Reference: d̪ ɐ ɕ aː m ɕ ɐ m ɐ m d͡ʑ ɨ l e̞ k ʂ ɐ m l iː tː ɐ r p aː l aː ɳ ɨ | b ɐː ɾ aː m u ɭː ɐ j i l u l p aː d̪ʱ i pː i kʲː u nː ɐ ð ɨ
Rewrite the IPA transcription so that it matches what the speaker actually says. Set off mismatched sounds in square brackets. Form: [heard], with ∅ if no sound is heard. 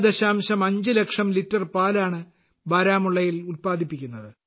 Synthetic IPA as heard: d̪ ɐ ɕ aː m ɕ ɐ m ɐ [ɲ] d͡ʑ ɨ l e̞ k ʂ ɐ m l [i] tː ɐ r p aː l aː ɳ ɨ | b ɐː ɾ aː m u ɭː ɐ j i l u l p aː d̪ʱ i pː i kʲː u nː ɐ ð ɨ